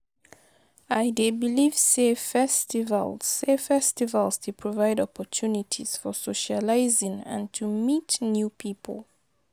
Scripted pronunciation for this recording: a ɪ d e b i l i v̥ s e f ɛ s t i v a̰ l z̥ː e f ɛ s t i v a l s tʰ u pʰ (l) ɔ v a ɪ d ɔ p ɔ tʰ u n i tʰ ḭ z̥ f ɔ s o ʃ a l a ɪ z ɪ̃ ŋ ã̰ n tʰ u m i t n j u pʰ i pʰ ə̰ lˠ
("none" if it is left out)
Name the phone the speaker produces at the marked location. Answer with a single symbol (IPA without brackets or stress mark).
ɹ